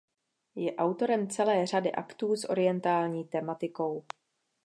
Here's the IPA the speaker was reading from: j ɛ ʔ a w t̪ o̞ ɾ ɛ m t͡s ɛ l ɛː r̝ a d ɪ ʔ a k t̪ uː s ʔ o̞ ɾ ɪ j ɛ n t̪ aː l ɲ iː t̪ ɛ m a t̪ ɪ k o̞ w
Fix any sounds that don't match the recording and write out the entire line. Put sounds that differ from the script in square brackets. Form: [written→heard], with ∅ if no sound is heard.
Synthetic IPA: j ɛ ʔ a w t̪ o̞ ɾ ɛ m t͡s ɛ l ɛː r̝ a d ɪ ʔ a k t̪ uː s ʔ o̞ ɾ ɪ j ɛ n t̪ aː l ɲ iː t̪ ɛ m a t̪ ɪ k o̞ w